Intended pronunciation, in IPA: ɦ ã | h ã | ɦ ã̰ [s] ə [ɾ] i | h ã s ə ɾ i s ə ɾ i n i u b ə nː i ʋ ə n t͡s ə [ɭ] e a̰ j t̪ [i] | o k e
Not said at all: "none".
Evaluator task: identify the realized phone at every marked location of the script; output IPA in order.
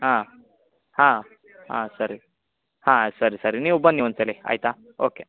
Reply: s, ɾ, l, a

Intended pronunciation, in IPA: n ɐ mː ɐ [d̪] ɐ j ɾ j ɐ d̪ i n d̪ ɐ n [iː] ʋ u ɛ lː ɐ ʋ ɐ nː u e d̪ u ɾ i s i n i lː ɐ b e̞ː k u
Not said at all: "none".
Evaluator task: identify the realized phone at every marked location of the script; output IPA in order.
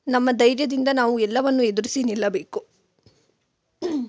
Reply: d̪, aː

